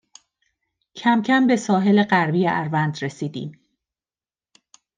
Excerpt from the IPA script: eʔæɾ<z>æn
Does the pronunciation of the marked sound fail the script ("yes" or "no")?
yes